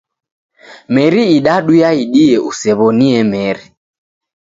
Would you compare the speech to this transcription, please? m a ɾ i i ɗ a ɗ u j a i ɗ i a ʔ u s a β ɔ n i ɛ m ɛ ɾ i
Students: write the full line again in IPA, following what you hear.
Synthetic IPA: m ɛ ɾ i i ɗ a ɗ u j a i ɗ i ɛ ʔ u s ɛ β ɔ n i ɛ m ɛ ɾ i